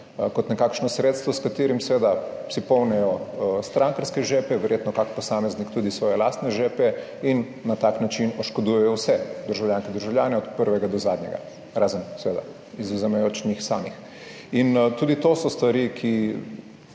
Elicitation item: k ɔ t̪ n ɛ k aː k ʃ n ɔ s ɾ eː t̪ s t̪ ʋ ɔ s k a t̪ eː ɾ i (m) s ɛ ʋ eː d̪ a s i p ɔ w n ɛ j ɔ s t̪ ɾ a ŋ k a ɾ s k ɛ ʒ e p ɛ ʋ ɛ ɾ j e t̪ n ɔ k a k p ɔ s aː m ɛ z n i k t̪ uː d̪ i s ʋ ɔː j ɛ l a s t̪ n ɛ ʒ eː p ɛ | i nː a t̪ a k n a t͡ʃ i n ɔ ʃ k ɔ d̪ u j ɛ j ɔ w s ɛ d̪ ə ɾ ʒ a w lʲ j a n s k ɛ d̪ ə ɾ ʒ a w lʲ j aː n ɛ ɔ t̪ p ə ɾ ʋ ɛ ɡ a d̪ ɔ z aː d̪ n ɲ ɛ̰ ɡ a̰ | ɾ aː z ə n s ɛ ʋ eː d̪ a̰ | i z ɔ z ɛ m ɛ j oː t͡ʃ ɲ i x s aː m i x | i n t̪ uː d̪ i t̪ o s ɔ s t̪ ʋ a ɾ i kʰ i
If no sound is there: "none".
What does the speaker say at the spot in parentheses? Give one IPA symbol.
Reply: m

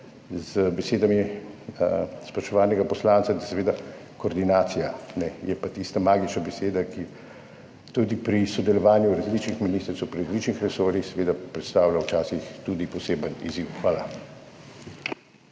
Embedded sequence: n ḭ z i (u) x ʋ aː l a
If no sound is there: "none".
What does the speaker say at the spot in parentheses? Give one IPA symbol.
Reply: w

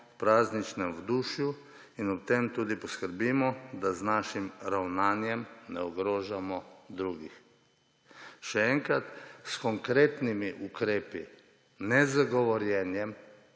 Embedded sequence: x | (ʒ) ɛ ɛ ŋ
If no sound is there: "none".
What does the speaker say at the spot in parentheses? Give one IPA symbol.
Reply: ʃ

